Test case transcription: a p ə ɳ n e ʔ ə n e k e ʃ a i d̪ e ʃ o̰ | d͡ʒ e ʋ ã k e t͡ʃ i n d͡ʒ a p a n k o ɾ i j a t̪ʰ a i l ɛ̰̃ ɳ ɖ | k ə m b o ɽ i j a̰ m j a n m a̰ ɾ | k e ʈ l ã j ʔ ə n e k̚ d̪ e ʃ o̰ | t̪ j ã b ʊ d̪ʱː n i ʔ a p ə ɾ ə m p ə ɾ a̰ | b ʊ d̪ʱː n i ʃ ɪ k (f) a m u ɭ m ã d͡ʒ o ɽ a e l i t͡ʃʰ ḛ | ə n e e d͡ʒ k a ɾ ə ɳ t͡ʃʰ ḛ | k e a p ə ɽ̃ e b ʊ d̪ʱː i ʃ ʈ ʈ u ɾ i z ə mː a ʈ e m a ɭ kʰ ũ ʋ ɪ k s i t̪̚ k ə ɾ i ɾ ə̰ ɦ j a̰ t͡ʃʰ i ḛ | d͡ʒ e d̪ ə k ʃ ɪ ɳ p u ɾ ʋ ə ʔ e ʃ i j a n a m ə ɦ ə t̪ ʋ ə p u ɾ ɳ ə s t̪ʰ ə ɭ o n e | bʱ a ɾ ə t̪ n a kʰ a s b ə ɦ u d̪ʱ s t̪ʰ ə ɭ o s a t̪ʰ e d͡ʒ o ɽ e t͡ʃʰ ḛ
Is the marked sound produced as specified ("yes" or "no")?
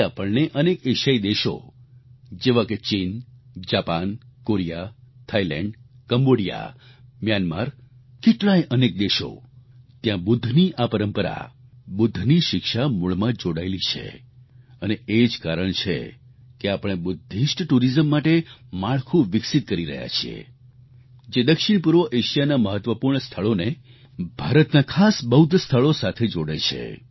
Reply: no